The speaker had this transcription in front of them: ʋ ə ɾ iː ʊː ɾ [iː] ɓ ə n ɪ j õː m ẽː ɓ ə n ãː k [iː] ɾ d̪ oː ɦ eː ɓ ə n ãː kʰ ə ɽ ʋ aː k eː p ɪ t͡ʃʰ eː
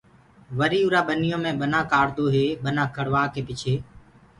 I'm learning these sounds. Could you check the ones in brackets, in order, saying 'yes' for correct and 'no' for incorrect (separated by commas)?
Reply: no, no